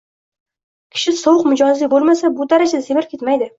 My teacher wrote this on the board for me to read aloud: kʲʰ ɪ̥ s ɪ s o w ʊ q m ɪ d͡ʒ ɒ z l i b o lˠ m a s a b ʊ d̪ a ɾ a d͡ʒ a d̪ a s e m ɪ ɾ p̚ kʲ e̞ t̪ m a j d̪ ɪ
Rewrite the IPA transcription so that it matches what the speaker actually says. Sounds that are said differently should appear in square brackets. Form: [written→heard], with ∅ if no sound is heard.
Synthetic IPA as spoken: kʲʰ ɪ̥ [s→ʃ] ɪ s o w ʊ q m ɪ d͡ʒ ɒ z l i b o lˠ m a s a b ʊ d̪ a ɾ a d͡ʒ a d̪ a s e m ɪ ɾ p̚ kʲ e̞ t̪ m a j d̪ ɪ

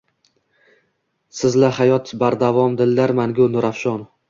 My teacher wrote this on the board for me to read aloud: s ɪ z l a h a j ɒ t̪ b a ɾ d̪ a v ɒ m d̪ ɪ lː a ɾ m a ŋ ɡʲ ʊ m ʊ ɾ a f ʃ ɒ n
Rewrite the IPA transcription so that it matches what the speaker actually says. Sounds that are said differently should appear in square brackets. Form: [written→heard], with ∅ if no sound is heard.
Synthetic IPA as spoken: s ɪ z l a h a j ɒ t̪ b a ɾ d̪ a v ɒ m d̪ ɪ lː a ɾ m a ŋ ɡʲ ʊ [m→n] ʊ ɾ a f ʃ ɒ n

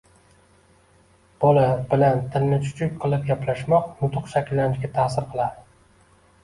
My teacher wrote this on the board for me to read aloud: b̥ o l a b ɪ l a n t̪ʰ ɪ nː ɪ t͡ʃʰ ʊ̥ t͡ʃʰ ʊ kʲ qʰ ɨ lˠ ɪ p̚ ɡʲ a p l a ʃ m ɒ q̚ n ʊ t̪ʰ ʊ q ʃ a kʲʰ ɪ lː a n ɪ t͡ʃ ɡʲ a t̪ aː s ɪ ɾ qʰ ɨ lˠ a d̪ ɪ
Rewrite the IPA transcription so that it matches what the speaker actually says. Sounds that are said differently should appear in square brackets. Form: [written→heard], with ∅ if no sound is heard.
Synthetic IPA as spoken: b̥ o l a b ɪ l a n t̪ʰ ɪ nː ɪ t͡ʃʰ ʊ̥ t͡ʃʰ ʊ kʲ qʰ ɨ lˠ ɪ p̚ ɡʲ a p l a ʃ m ɒ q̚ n ʊ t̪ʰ ʊ q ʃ a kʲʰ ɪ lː a n ɪ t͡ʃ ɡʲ a [t̪→t̪ʰ] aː s ɪ ɾ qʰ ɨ lˠ a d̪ ɪ

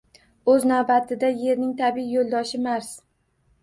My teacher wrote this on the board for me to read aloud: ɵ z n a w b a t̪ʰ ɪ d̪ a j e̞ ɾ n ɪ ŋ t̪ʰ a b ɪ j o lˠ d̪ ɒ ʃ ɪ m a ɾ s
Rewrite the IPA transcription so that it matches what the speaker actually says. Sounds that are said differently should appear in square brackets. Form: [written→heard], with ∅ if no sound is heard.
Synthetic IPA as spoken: ɵ z n a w b a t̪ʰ ɪ d̪ a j e̞ ɾ n ɪ ŋ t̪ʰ a b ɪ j o lˠ d̪ ɒ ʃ ɪ m a ɾ s

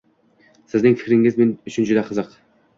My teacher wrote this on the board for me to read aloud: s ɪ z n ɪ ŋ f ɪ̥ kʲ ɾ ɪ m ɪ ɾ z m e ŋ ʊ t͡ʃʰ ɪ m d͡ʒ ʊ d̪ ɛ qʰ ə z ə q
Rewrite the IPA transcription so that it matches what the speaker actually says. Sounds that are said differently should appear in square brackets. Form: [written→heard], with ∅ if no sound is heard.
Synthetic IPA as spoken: s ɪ z n ɪ ŋ f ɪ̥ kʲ ɾ ɪ [m→ŋ] ɪ [ɾ→∅] z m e [ŋ→n] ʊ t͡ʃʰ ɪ [m→n] d͡ʒ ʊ d̪ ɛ qʰ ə z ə q

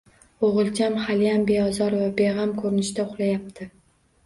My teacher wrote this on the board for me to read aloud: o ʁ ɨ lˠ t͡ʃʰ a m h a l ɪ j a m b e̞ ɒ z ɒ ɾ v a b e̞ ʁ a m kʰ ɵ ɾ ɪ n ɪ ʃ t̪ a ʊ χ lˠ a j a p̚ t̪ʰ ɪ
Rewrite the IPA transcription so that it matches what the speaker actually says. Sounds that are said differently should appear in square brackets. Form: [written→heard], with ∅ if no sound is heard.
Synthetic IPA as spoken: o ʁ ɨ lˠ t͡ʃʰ a m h a l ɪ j a m b e̞ ɒ z ɒ ɾ v a b e̞ ʁ a m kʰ ɵ ɾ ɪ n ɪ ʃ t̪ a ʊ χ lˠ a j a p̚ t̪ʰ ɪ

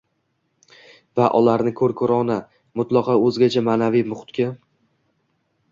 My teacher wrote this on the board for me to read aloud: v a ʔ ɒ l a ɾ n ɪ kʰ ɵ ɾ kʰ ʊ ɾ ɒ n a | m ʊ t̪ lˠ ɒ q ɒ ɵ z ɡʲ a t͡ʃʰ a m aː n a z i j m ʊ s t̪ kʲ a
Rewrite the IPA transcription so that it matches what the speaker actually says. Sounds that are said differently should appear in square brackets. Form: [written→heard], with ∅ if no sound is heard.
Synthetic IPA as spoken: v a ʔ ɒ l a ɾ n ɪ kʰ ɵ ɾ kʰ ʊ ɾ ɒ n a | m ʊ t̪ lˠ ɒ q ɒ ɵ z ɡʲ a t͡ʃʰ a m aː n a [z→v] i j m ʊ [s→χ] t̪ kʲ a

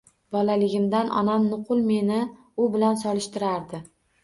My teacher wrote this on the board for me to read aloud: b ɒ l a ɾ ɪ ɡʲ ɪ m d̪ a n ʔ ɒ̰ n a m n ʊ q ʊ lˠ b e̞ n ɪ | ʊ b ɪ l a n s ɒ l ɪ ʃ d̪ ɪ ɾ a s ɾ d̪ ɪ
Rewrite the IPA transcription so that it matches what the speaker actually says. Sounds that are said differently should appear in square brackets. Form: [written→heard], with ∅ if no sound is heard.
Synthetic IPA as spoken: b ɒ l a [ɾ→l] ɪ ɡʲ ɪ m d̪ a n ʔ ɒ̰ n a m n ʊ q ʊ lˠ [b→m] e̞ n ɪ | ʊ b ɪ l a n s ɒ l ɪ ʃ [d̪→t̪] ɪ ɾ a [s→∅] ɾ d̪ ɪ

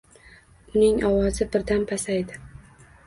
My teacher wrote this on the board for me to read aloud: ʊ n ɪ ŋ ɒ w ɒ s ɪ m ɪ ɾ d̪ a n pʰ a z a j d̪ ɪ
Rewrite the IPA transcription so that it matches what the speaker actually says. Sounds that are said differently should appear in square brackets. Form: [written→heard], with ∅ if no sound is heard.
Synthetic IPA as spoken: ʊ n ɪ ŋ ɒ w ɒ [s→z] ɪ [m→b] ɪ ɾ d̪ a n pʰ a [z→s] a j d̪ ɪ

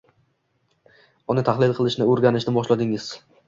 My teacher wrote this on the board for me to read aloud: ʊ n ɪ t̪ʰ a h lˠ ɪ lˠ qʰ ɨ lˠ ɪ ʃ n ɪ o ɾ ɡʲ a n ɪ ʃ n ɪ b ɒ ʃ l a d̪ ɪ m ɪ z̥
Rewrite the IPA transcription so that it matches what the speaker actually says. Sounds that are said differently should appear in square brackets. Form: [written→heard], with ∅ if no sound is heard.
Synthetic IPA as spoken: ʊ n ɪ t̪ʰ a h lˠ ɪ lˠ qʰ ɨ lˠ ɪ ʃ n ɪ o ɾ ɡʲ a n ɪ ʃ n ɪ b ɒ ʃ l a d̪ ɪ [m→ŋ] ɪ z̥

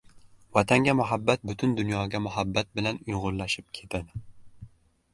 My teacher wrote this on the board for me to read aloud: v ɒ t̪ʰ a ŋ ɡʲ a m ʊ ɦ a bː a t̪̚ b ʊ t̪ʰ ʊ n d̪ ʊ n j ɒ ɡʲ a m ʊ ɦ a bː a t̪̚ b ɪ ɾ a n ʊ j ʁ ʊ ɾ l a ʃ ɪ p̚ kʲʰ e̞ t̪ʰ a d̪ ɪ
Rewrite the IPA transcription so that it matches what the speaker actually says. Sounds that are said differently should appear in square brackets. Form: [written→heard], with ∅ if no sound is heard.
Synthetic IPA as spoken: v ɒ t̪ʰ a ŋ ɡʲ a m ʊ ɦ a bː a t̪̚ b ʊ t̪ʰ ʊ n d̪ ʊ n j ɒ ɡʲ a m ʊ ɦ a bː a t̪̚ b ɪ [ɾ→l] a n ʊ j ʁ ʊ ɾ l a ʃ ɪ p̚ kʲʰ e̞ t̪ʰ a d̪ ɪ

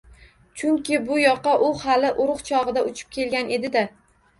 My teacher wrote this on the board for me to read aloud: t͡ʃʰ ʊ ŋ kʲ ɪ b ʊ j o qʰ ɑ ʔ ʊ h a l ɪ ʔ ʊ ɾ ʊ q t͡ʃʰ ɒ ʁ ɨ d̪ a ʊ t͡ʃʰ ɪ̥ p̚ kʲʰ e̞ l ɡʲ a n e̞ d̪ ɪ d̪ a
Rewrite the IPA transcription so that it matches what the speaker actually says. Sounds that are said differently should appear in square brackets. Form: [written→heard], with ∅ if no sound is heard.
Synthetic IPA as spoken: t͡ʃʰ ʊ ŋ kʲ ɪ b ʊ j [o→ɒ] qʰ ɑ ʔ ʊ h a l ɪ ʔ ʊ ɾ ʊ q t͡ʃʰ ɒ ʁ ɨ d̪ a ʊ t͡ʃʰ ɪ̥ p̚ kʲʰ e̞ l ɡʲ a n e̞ d̪ ɪ d̪ a

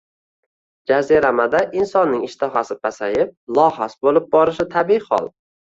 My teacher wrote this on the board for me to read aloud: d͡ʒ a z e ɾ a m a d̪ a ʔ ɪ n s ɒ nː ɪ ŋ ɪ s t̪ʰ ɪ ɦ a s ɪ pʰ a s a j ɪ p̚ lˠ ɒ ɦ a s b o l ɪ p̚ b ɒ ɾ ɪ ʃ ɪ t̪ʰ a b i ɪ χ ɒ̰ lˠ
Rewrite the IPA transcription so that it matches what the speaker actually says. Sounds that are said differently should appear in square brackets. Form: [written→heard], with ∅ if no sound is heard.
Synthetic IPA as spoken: d͡ʒ a z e ɾ a m a d̪ a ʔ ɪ n s ɒ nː ɪ ŋ ɪ [s→ʃ] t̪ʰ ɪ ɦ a s ɪ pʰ a s a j ɪ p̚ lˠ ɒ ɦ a s b o l ɪ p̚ b ɒ ɾ ɪ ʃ ɪ t̪ʰ a b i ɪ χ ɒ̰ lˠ

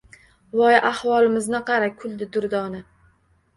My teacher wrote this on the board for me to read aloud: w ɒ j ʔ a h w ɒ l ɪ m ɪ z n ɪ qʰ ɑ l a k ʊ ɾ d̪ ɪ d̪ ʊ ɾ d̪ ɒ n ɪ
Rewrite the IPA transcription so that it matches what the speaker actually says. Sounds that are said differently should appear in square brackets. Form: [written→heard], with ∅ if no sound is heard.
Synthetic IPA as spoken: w ɒ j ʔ a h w ɒ l ɪ m ɪ z n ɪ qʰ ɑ [l→ɾ] a [k→kʰ] ʊ [ɾ→l] d̪ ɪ d̪ ʊ ɾ d̪ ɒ n ɪ

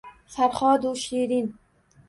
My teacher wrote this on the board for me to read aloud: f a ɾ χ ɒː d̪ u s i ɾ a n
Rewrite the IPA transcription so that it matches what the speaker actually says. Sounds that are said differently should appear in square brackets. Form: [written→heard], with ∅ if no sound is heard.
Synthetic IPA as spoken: f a ɾ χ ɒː d̪ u [s→ʃ] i ɾ [a→i] n

